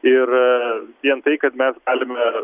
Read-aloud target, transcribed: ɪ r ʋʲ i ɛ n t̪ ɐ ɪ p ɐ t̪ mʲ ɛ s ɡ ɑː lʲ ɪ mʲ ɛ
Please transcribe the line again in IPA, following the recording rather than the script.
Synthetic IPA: ɪ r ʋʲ i ɛ n t̪ ɐ ɪ k ɐ t̪ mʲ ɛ s ɡ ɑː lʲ ɪ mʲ ɛ